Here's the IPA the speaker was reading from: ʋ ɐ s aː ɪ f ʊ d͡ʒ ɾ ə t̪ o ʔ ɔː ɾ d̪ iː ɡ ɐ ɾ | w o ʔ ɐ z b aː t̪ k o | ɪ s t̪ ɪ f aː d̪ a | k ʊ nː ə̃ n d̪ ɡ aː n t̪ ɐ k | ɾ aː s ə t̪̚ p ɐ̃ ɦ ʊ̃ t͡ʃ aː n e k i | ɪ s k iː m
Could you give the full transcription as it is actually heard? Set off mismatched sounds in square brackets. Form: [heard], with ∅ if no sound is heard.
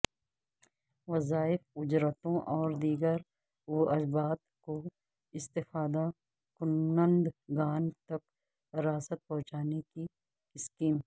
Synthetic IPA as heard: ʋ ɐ [z] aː ɪ f ʊ d͡ʒ ɾ ə t̪ [õ] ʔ ɔː ɾ d̪ iː ɡ [ə] ɾ | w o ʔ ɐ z b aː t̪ k o | ɪ s t̪ ɪ f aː d̪ a | k ʊ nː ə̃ n d̪ ɡ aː n t̪ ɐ k | ɾ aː s ə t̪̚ p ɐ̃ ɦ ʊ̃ t͡ʃ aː n e k i | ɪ s k iː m